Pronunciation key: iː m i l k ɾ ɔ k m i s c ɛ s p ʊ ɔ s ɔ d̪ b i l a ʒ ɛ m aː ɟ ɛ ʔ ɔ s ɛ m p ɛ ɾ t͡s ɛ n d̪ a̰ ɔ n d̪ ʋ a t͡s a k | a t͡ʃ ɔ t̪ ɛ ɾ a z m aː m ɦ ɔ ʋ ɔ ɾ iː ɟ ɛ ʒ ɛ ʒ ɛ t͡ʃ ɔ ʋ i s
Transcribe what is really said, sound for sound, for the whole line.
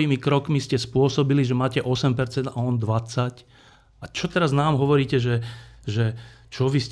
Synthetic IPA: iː m i k ɾ ɔ k m i s c ɛ s p ʊ ɔ s ɔ b i l i ʒ ɛ m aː c ɛ ʔ ɔ s ɛ m p ɛ ɾ t͡s ɛ n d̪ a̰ ɔ n d̪ ʋ a t͡s a c | a t͡ʃ ɔ t̪ ɛ ɾ a z n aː m ɦ ɔ ʋ ɔ ɾ iː c ɛ ʒ ɛ ʒ ɛ t͡ʃ ɔ ʋ i s